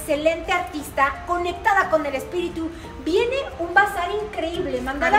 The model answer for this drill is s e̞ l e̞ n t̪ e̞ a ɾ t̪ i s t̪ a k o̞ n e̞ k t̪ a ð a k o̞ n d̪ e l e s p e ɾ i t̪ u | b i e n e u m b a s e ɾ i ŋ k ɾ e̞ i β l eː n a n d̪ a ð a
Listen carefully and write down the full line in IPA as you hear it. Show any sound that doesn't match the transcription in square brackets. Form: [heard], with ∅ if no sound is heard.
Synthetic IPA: s e̞ l e̞ n t̪ e̞ a ɾ t̪ i s t̪ a k o̞ n e̞ k t̪ a ð a k o̞ n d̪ e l e s p [i] ɾ i t̪ u | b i e n e u m b a s [a] ɾ i ŋ k ɾ e̞ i β l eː [m] a n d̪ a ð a